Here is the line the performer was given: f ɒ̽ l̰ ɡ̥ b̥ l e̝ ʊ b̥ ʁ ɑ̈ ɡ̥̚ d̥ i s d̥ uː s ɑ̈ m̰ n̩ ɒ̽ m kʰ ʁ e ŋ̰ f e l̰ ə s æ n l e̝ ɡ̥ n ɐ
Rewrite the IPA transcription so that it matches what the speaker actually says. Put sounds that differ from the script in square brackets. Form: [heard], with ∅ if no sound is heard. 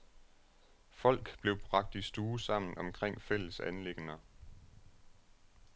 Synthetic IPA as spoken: f ɒ̽ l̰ ɡ̥ b̥ l e̝ ʊ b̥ ʁ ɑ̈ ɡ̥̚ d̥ i s d̥ uː s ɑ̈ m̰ n̩ ɒ̽ m kʰ ʁ e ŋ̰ f e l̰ ə s æ n l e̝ ɡ̥ n ɐ

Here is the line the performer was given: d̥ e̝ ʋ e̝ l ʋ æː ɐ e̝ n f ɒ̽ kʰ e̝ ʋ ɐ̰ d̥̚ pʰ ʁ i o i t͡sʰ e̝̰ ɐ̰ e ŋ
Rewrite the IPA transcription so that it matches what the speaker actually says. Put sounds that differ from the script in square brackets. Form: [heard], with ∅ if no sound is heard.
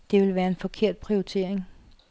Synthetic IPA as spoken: d̥ e̝ ʋ e̝ l ʋ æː ɐ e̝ n f ɒ̽ kʰ e̝ [∅] ɐ̰ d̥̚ pʰ ʁ i o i t͡sʰ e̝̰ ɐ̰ e ŋ

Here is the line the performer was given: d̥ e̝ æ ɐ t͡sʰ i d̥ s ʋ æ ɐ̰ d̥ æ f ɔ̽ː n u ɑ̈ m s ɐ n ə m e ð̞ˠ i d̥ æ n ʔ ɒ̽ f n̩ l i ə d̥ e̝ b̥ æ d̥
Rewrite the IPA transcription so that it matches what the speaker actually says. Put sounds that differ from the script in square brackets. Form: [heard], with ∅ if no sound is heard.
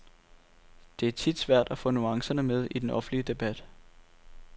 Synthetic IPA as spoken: d̥ e̝ æ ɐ t͡sʰ i d̥ s ʋ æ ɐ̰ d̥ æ f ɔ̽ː n u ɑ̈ [ŋ] s ɐ n ə m e ð̞ˠ i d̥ [e] n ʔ ɒ̽ f n̩ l i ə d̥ e̝ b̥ æ d̥

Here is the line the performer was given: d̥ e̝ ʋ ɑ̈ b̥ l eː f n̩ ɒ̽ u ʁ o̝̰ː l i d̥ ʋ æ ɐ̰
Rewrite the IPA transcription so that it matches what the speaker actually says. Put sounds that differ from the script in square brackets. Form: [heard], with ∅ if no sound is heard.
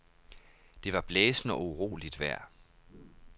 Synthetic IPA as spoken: d̥ e̝ ʋ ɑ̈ b̥ l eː [s] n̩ ɒ̽ u ʁ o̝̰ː l i d̥ ʋ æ ɐ̰

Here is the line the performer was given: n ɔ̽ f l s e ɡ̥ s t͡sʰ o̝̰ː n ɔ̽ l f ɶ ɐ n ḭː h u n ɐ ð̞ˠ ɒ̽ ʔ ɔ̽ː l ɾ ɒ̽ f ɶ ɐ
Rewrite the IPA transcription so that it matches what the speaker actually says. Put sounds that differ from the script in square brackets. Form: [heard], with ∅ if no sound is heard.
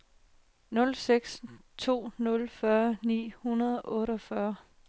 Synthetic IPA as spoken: n ɔ̽ [∅] l s e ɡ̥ s t͡sʰ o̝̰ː n ɔ̽ l f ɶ ɐ n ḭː h u n ɐ ð̞ˠ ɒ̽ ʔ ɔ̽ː [∅] ɾ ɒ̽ f ɶ ɐ

